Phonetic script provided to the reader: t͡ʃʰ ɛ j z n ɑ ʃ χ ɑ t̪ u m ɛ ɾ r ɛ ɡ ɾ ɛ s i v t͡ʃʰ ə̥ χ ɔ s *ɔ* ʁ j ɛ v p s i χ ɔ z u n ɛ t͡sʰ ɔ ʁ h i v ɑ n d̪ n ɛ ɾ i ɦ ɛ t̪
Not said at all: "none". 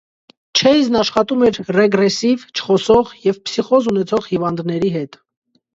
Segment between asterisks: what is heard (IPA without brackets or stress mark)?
ɔ